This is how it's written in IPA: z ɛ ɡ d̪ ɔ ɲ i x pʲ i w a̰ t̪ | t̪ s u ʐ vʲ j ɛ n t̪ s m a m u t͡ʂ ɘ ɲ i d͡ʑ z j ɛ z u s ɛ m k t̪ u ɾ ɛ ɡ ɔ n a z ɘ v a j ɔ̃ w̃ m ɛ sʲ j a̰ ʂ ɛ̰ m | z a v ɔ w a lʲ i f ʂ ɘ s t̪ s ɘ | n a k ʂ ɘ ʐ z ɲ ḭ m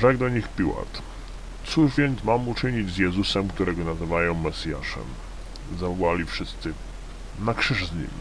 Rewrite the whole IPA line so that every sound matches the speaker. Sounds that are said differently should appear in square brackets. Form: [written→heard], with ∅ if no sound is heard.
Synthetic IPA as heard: [z→ʐ] ɛ ɡ d̪ ɔ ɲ i x pʲ i w a̰ t̪ | t̪ s u ʐ vʲ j ɛ n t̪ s m a m u t͡ʂ ɘ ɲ i d͡ʑ z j ɛ z u s ɛ m k t̪ u ɾ ɛ ɡ ɔ n a z ɘ v a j ɔ̃ w̃ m ɛ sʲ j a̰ ʂ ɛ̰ m | z a v ɔ w a lʲ i f ʂ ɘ s t̪ s ɘ | n a k ʂ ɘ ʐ z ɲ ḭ m